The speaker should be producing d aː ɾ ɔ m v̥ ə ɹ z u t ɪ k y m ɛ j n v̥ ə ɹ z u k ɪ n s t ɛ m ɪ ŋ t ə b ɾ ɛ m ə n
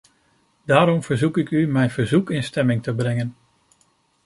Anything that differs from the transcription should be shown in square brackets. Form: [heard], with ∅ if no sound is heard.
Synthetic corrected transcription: d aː ɾ ɔ m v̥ ə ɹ z u [k] ɪ k y m ɛ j n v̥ ə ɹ z u k ɪ n s t ɛ m ɪ ŋ t ə b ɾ ɛ [ŋ] ə n

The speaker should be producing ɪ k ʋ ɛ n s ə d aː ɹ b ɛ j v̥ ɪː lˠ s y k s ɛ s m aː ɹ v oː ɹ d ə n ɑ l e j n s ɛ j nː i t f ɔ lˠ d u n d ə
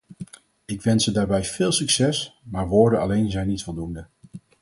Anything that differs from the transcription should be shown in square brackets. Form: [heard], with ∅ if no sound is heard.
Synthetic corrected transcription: ɪ k ʋ ɛ n s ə d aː ɹ b ɛ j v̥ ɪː lˠ s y k s ɛ s m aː ɹ [ʋ] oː ɹ d ə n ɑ l e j n [z] ɛ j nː i t f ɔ lˠ d u n d ə

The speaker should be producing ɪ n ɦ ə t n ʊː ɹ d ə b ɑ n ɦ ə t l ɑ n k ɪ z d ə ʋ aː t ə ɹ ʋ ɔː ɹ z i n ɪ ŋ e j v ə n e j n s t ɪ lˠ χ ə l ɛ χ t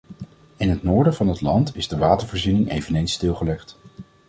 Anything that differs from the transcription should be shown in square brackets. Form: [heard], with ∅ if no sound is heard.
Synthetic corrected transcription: ɪ n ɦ ə t n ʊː ɹ d ə [v] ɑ n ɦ ə t l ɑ n [t] ɪ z d ə ʋ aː t ə ɹ [v] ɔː ɹ z i n ɪ ŋ e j v ə n e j n s t ɪ lˠ χ ə l ɛ χ t

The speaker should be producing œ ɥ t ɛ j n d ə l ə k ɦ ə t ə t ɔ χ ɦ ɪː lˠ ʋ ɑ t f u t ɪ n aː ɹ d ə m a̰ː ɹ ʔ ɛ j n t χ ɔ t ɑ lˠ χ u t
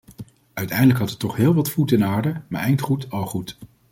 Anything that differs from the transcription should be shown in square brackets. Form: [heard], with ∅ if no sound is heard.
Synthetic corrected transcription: œ ɥ t ɛ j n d ə l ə k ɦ [ɑ] t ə t ɔ χ ɦ ɪː lˠ ʋ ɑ t f u t ɪ n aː ɹ d ə m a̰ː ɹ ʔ ɛ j n t χ [u] t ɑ lˠ χ u t

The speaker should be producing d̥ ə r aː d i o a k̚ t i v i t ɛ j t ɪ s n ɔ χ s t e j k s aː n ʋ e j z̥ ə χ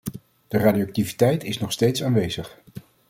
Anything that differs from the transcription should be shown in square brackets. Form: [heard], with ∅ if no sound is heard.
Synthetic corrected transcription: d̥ ə r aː d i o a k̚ t i v i t ɛ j t ɪ s n ɔ χ s t e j [t] s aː n ʋ e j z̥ ə χ

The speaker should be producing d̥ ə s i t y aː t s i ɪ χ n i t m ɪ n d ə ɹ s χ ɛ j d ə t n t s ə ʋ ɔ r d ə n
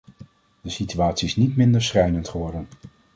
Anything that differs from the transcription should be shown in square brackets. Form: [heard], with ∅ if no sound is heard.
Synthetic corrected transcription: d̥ ə s i t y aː t s i ɪ [s] n i t m ɪ n d ə ɹ s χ ɛ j [n] ə [∅] n t [χ] ə ʋ ɔ [ɹ] d ə n

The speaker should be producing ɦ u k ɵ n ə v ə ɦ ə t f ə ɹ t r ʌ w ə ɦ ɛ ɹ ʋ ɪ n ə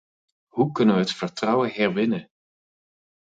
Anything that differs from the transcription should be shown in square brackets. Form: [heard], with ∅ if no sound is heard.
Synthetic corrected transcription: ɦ u k ɵ n ə [ʋ] ə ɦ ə t f ə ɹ t r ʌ w ə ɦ ɛ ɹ ʋ ɪ n ə

